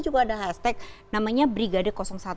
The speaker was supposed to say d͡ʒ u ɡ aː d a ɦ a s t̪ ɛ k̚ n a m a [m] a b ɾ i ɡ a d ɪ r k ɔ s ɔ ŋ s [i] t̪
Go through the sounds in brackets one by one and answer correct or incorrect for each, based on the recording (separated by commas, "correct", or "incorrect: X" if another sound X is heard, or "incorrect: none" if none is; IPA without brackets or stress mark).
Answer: incorrect: ɲ, incorrect: a